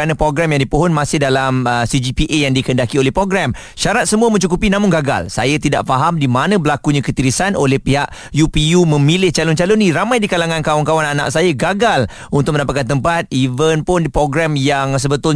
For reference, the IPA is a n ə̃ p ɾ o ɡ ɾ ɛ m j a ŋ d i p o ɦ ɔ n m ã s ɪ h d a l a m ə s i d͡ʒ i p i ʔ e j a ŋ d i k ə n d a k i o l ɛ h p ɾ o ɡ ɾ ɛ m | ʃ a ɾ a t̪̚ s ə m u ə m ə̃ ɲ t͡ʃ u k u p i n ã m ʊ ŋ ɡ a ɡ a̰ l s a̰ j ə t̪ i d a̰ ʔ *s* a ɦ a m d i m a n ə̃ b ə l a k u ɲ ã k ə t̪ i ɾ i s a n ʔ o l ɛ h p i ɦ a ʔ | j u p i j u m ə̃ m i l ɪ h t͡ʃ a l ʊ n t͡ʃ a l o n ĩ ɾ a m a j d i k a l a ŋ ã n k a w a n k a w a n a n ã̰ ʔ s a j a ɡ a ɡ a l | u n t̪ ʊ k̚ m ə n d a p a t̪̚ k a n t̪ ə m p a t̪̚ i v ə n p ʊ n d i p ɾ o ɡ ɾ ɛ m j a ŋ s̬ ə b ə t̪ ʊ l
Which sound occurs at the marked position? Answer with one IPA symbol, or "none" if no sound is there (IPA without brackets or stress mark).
f